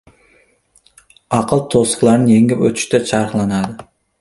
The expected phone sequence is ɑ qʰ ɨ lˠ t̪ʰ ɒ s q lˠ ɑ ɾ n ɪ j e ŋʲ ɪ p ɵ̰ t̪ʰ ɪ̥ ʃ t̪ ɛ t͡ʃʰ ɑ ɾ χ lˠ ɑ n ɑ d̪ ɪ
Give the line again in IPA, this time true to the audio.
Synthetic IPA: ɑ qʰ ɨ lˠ t̪ʰ o s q lˠ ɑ ɾ n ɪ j e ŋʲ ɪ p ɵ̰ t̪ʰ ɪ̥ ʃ t̪ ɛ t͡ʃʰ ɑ ɾ χ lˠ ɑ n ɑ d̪ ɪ